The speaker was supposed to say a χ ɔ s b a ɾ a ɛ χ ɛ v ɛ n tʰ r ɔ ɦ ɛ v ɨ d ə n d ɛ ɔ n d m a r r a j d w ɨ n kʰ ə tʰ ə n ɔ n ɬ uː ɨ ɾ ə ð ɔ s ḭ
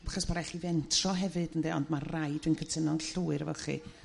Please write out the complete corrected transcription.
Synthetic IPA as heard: a χ ɔ s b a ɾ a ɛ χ i v ɛ n tʰ r ɔ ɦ ɛ v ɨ d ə n d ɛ ɔ n d m a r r a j d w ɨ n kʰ ə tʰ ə n ɔ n ɬ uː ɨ ɾ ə v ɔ χ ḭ

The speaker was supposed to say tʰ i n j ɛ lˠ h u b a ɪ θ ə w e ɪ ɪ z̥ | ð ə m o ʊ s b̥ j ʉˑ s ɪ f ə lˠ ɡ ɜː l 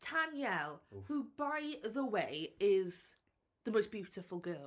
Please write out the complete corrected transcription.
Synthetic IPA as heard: tʰ a n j ɛ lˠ h u b a ɪ ð ə w e ɪ ɪ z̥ | ð ə m o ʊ s b̥ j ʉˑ t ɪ f ə lˠ ɡ ɜː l

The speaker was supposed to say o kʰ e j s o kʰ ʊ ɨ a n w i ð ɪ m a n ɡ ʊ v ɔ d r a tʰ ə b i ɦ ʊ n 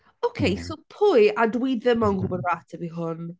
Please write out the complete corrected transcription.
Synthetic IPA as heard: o kʰ e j s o pʰ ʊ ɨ a d w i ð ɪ m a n ɡ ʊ b ɔ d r a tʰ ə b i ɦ ʊ n

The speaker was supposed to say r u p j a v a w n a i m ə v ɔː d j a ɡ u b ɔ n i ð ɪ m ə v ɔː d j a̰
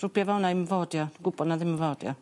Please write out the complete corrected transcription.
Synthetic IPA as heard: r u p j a v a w n a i m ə v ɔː d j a ɡ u b ɔ n a ð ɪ m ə v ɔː d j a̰

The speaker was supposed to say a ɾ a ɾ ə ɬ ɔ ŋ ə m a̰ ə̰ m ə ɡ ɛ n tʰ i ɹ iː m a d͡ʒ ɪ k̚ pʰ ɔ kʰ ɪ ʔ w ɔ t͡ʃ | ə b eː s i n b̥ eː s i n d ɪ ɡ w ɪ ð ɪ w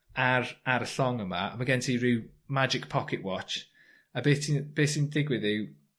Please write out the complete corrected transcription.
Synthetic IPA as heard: a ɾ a ɾ ə ɬ ɔ ŋ ə m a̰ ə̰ m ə ɡ ɛ n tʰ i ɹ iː m a d͡ʒ ɪ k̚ pʰ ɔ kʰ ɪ ʔ w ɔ t͡ʃ | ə b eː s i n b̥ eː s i n d ɪ ɡ w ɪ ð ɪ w

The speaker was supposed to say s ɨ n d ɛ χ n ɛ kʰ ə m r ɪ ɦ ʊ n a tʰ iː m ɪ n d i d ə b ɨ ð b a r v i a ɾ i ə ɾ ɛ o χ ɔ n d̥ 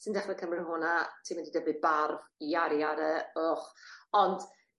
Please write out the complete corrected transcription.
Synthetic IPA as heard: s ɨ n d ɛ χ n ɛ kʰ ə m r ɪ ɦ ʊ n a tʰ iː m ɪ n d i d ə b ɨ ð b a r v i a ɾ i a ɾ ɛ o χ ɔ n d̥

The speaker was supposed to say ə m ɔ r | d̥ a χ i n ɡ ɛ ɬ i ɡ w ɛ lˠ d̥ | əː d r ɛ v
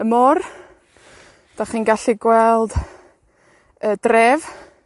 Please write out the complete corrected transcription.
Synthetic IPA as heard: ə m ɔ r | d̥ a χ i n ɡ a ɬ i ɡ w ɛ lˠ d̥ | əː d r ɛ v

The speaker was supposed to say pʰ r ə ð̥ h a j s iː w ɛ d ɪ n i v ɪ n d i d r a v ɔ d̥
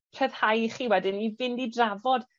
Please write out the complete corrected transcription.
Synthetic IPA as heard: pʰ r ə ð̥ h a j χ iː w ɛ d ɪ n i v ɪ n d i d r a v ɔ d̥

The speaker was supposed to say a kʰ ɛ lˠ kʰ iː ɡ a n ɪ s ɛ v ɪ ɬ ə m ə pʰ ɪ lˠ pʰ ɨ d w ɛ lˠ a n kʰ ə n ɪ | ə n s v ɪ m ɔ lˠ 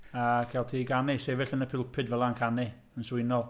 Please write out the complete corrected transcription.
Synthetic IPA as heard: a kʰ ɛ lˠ tʰ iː ɡ a n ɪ s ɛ v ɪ ɬ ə n ə pʰ ɪ lˠ pʰ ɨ d v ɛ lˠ a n kʰ a n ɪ | ə n s w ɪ n ɔ lˠ

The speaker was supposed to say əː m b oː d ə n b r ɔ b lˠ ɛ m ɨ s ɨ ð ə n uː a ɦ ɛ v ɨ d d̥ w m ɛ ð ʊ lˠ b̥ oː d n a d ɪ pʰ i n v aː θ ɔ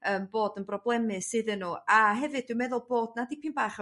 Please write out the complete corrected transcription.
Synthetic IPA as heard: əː m b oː d ə n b r ɔ b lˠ ɛ m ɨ s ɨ ð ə n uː a ɦ ɛ v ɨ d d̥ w m ɛ ð ʊ lˠ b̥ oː d n a d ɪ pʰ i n b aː χ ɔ

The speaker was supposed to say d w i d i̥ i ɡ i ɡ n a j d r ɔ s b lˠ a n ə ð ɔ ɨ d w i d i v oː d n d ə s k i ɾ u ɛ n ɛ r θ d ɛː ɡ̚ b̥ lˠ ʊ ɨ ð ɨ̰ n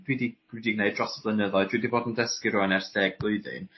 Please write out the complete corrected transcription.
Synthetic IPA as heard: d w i d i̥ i d i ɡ n e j d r ɔ s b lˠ ə n ə ð ɔ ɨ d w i d i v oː d n d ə s k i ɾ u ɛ n ɛ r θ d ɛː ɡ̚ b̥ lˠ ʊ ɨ ð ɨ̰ n

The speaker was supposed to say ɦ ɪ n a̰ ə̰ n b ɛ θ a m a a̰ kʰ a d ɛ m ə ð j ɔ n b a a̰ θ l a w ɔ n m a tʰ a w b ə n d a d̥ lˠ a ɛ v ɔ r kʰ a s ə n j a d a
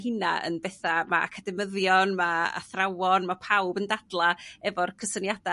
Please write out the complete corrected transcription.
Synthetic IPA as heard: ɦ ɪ n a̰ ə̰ n b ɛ θ a m a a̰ kʰ a d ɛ m ə ð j ɔ n m a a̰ θ r a w ɔ n m a pʰ a w b ə n d a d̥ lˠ a ɛ v ɔ r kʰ ə s ə n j a d a

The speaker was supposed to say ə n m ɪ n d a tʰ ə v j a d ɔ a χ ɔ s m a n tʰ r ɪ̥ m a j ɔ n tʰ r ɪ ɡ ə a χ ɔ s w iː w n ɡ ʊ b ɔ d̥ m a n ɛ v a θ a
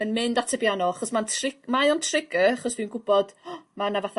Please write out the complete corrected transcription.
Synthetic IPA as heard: ə n m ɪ n d a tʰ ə b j a n ɔ a χ ɔ s m a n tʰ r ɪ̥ m a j ɔ n tʰ r ɪ ɡ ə a χ ɔ s v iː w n ɡ ʊ b ɔ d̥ m a n a v a θ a

